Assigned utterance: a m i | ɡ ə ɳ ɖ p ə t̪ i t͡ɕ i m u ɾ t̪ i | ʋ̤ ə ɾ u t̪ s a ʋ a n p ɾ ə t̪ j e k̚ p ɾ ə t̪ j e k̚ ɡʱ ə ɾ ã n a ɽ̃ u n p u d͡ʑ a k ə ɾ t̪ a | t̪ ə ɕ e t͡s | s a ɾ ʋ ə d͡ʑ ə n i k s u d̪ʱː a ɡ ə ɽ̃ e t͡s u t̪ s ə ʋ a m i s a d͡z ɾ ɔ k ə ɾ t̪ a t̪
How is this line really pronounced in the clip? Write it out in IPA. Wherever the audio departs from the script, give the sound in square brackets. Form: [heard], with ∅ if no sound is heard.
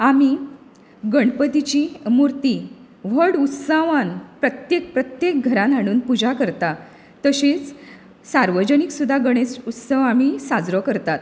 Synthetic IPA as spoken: a m i | ɡ ə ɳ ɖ p ə t̪ i t͡ɕ i m u ɾ t̪ i | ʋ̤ ə [ɽ] u t̪ s a ʋ a n p ɾ ə t̪ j e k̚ p ɾ ə t̪ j e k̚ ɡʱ ə ɾ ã n a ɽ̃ [uː] n p u d͡ʑ a k ə ɾ t̪ a | t̪ ə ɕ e t͡s | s a ɾ ʋ ə d͡ʑ ə n i k s u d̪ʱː a ɡ ə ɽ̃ e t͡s u t̪ s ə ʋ a m i s a d͡z ɾ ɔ k ə ɾ t̪ a t̪